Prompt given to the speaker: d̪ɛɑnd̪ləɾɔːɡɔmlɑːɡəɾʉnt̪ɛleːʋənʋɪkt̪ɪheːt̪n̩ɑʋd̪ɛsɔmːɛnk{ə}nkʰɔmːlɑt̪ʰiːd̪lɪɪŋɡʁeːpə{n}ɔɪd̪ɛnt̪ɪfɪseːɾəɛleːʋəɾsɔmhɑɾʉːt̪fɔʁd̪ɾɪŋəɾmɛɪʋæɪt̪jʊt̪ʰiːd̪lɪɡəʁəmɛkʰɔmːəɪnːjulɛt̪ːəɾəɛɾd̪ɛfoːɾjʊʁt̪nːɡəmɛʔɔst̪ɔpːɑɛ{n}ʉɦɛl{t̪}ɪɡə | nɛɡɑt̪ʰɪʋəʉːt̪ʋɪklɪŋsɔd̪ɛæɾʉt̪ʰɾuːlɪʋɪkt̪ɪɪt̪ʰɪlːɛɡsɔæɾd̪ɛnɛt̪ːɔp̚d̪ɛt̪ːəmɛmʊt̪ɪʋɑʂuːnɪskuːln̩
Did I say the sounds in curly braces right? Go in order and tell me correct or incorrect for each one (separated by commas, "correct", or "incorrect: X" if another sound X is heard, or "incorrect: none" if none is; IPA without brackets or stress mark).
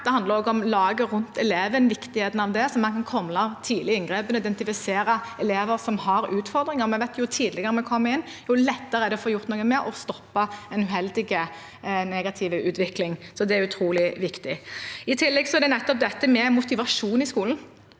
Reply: incorrect: ɑ, correct, correct, incorrect: d̪